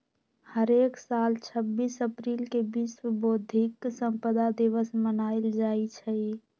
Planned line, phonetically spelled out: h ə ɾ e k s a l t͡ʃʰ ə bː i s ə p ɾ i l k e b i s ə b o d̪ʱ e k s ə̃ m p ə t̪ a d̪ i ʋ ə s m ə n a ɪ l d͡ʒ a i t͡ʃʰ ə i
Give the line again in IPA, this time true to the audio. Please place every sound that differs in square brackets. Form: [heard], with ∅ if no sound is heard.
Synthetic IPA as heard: h ə ɾ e k s a l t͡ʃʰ ə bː i s ə p ɾ i l k e b i s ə b o d̪ʱ [i] k s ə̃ m p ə [d̪] a d̪ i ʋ ə s m ə n a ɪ l d͡ʒ a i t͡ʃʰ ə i